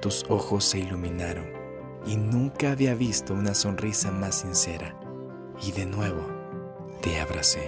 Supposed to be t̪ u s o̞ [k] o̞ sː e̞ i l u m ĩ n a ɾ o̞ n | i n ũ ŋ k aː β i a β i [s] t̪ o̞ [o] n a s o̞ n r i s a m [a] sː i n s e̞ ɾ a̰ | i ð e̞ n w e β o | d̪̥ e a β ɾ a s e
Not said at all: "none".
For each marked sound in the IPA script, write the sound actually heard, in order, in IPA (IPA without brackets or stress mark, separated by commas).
x, s, u, a